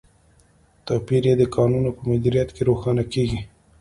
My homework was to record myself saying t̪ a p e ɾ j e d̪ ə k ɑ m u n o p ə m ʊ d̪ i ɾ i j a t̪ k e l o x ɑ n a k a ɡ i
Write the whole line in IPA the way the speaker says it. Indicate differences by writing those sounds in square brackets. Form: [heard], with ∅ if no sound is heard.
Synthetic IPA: t̪ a p [i] ɾ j e d̪ ə k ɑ [n] u n o p ə m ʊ d̪ i ɾ i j a t̪ k e [ɾ] o x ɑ n a k [e] ɡ i